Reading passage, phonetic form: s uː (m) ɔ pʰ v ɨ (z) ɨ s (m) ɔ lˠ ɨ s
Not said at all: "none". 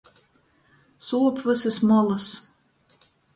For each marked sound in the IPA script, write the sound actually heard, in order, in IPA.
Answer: none, s, m

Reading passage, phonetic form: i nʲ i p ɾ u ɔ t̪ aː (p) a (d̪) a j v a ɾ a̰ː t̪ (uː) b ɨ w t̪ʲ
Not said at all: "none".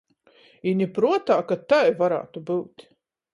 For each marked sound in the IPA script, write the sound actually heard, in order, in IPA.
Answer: k, t̪, u

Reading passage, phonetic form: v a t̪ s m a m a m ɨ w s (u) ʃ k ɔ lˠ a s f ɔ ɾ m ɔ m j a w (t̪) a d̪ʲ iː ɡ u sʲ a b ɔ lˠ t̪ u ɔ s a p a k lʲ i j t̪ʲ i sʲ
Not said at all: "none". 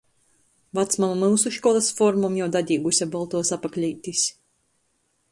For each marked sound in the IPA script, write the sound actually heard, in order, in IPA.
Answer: u, d̪

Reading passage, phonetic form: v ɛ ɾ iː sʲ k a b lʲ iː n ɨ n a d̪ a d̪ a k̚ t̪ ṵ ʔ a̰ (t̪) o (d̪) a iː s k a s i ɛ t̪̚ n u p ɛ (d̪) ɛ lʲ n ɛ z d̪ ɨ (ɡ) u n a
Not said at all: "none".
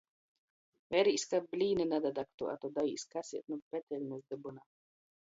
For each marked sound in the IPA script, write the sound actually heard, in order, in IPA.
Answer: t̪, d̪, t̪, b

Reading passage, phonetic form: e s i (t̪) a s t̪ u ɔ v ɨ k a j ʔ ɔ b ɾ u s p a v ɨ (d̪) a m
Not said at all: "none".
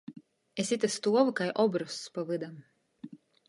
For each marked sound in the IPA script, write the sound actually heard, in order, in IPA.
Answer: t̪, d̪

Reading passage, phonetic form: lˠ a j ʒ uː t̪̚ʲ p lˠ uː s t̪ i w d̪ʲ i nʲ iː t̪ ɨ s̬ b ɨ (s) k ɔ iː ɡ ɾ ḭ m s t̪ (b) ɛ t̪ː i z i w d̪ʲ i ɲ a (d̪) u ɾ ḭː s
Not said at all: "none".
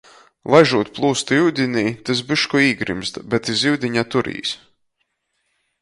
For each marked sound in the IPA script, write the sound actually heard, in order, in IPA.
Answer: ʃ, b, t̪

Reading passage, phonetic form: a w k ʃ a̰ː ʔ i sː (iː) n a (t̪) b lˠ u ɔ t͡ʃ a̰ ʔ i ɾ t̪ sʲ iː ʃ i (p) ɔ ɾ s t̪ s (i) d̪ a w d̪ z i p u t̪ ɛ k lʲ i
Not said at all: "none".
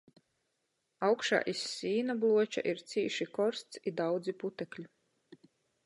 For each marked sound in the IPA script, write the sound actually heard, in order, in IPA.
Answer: iː, none, k, i

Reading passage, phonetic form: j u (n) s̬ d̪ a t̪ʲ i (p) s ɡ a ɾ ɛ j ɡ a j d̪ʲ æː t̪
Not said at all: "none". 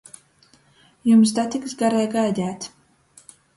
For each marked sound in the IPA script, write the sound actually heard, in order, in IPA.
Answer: m, k

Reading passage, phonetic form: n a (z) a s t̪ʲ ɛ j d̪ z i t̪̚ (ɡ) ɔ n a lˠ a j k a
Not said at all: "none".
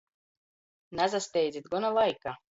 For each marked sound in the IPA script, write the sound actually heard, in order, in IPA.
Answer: z, ɡ

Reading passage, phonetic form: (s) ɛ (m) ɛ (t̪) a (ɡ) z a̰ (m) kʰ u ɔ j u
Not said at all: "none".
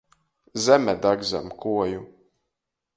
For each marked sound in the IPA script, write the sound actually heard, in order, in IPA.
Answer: z, m, d̪, ɡ, m

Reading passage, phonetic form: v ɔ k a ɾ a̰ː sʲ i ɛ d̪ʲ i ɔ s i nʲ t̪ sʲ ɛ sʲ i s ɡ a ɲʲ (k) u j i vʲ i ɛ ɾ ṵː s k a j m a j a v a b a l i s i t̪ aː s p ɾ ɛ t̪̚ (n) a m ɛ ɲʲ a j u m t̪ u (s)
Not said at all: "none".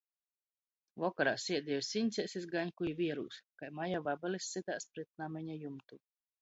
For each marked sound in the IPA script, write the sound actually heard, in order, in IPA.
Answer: k, n, none

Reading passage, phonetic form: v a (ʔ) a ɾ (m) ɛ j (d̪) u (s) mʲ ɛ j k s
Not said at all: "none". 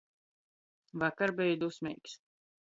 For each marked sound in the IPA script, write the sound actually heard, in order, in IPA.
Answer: k, b, d̪, s

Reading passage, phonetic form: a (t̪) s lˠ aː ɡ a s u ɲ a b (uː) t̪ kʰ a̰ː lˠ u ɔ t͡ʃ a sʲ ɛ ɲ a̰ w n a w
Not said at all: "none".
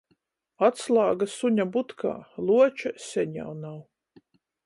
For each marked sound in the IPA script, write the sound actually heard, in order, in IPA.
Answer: t̪, u

